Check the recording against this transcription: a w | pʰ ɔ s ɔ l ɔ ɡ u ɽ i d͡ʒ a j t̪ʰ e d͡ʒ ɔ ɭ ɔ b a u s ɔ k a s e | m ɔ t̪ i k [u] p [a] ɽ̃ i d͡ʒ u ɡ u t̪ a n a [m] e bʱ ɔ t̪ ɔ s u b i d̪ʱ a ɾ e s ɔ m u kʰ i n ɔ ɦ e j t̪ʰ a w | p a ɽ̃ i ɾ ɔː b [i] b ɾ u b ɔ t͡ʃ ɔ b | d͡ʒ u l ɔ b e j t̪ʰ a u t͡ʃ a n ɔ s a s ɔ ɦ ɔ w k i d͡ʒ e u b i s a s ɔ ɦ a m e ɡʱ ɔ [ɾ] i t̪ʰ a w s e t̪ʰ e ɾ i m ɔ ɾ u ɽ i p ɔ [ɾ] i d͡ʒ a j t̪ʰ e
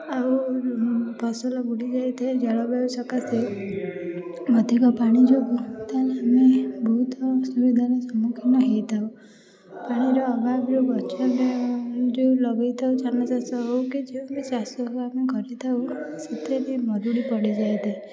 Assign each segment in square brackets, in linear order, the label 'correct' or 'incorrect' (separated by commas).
incorrect, correct, correct, incorrect, correct, incorrect